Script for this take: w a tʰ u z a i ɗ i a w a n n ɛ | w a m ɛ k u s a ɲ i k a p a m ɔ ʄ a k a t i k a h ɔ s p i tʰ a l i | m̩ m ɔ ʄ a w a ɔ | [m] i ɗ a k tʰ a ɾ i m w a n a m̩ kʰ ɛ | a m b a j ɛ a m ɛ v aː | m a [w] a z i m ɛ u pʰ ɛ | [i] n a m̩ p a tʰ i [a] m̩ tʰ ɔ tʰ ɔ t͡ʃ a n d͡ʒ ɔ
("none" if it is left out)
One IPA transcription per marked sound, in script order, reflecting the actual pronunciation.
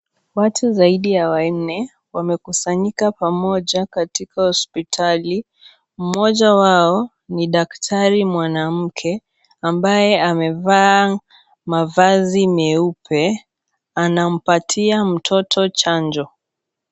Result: n, v, a, a

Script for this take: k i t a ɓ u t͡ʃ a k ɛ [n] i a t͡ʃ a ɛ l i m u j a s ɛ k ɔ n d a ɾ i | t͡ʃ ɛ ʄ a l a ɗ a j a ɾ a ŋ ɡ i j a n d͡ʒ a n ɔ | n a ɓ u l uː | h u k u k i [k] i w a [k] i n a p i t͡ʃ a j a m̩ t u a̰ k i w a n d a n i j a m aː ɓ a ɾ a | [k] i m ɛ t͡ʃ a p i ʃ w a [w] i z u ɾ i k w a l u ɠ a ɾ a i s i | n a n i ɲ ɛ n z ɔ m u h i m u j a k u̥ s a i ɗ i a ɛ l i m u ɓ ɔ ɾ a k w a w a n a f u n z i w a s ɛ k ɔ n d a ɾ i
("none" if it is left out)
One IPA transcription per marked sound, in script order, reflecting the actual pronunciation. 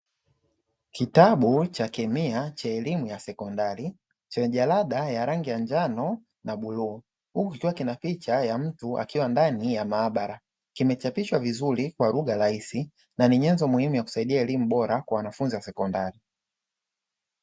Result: m, k, k, k, v

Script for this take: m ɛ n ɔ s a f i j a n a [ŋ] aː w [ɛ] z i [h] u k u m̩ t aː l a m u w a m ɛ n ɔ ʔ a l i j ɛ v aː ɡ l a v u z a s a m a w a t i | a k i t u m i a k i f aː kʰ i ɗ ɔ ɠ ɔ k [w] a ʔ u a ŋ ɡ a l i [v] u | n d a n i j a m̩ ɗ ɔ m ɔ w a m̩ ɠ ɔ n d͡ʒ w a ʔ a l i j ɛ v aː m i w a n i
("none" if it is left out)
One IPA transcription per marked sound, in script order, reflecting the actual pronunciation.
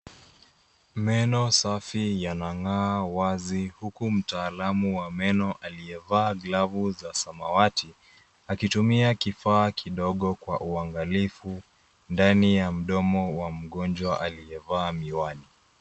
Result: ŋ, a, h, w, f

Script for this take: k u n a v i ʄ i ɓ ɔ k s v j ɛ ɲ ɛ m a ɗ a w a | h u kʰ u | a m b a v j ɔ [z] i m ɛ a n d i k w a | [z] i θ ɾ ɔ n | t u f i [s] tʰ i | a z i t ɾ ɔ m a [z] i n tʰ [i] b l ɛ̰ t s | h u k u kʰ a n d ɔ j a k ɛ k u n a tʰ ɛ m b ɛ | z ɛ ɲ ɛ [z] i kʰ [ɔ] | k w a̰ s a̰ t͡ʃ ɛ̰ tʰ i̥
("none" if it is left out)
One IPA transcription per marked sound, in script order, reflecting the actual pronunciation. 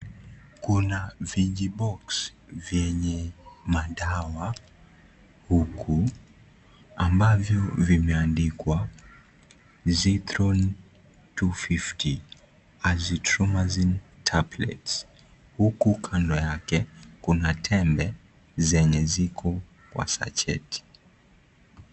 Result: v, z, f, z, a, z, ɔ

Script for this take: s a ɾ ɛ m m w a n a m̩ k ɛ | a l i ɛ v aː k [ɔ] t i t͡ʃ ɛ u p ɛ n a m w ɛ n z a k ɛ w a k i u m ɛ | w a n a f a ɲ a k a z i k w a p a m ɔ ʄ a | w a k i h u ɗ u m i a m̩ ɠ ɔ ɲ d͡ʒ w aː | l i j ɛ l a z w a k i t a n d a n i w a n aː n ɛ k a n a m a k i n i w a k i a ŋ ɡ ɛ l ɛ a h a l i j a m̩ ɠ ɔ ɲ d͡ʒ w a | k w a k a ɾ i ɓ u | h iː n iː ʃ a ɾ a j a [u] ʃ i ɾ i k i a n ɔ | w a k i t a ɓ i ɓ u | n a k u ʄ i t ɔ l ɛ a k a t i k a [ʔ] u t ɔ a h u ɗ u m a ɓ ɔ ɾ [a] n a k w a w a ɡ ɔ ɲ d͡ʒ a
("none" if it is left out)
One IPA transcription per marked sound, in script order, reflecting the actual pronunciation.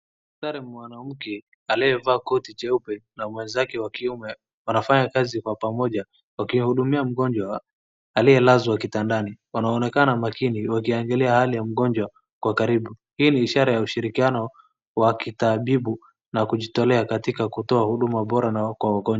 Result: ɔ, u, k, a

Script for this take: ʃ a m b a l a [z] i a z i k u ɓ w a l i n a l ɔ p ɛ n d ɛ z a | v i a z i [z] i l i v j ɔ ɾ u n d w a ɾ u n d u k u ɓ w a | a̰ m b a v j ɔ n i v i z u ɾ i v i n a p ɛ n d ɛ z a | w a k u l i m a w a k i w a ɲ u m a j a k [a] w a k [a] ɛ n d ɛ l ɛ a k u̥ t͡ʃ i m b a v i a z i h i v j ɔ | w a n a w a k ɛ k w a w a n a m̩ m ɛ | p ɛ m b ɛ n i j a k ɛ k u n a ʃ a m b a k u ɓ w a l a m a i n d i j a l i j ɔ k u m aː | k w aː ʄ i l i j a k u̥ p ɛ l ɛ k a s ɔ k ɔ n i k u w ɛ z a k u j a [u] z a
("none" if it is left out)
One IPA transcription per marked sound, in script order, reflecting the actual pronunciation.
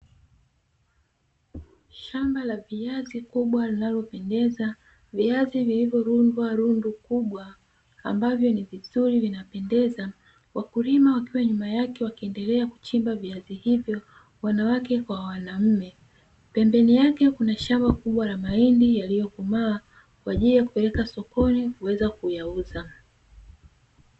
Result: v, v, ɛ, i, u

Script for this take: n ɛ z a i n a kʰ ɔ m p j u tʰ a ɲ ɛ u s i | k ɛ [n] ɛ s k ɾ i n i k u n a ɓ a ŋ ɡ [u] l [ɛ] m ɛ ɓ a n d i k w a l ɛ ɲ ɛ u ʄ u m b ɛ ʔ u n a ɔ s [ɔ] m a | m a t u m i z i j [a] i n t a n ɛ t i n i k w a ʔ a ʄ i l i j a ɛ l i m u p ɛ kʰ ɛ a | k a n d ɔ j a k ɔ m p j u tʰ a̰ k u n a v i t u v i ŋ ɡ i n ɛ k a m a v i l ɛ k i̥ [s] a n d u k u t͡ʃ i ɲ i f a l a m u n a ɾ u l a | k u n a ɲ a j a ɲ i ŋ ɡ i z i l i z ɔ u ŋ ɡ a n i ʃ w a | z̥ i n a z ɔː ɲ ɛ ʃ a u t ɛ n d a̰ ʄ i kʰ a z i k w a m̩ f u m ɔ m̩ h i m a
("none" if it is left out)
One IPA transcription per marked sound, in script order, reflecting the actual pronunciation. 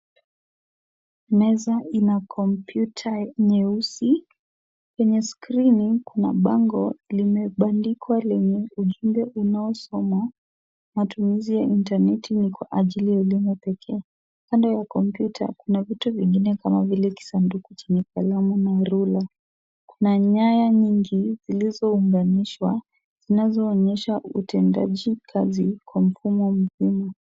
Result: ɲ, ɔ, i, ɔ, a, s

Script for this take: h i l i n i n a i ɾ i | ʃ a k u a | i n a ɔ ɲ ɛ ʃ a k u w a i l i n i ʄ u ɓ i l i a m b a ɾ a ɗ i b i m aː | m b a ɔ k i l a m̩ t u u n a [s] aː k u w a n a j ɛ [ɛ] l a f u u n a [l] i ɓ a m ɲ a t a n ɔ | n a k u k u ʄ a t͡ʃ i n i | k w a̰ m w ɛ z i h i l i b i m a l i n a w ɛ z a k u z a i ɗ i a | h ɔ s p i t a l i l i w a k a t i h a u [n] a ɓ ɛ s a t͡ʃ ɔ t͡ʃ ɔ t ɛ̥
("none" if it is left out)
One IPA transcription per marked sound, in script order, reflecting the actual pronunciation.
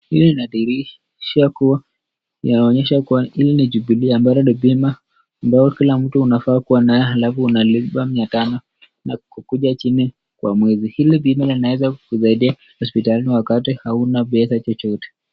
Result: f, a, l, n

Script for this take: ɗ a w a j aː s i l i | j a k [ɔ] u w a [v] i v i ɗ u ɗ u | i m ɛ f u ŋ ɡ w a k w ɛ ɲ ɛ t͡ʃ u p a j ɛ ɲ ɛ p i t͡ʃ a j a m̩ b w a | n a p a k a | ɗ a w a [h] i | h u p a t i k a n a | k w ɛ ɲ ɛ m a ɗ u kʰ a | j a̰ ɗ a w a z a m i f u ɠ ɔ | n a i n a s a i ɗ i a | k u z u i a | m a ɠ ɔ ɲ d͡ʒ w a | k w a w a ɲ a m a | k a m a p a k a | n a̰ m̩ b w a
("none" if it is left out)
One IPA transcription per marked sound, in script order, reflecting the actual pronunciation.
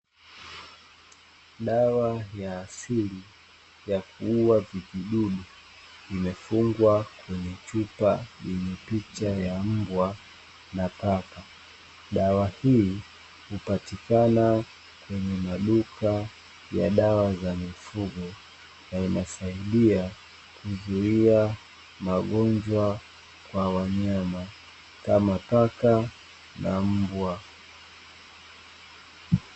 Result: u, v, h

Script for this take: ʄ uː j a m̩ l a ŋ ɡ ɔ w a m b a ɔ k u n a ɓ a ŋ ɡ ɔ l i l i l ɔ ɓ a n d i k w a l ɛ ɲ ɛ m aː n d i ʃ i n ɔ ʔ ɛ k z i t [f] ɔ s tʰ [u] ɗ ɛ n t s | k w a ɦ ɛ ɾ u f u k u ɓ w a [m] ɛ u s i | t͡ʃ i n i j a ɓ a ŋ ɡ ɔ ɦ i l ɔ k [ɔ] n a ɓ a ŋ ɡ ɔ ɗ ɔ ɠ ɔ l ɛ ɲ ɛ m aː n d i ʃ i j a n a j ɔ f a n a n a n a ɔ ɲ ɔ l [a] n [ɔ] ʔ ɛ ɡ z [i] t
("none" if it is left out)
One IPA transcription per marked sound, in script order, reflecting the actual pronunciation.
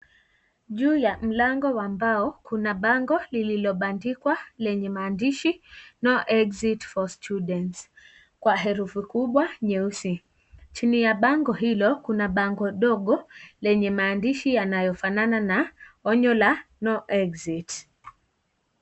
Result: f, u, ɲ, u, a, ɔ, i

